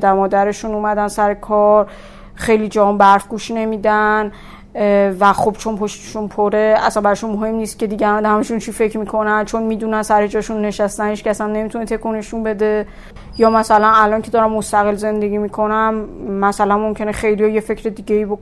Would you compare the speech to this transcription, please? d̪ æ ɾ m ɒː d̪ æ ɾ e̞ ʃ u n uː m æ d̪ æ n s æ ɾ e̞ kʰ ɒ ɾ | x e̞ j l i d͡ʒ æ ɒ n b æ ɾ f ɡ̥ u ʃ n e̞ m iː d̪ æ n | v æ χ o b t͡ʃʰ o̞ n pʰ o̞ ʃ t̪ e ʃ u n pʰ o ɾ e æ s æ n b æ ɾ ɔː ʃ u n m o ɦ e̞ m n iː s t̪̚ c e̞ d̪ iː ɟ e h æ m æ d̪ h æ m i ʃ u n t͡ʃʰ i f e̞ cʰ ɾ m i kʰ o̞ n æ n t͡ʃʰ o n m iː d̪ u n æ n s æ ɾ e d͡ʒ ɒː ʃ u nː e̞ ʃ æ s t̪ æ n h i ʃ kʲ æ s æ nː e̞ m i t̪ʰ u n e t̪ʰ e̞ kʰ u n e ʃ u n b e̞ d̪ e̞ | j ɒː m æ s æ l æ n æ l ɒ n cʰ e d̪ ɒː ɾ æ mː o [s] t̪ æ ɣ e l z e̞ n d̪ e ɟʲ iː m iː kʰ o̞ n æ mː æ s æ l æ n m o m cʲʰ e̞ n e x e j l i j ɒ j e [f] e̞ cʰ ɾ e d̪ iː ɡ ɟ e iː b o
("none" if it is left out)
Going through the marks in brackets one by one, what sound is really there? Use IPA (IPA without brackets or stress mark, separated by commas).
s, f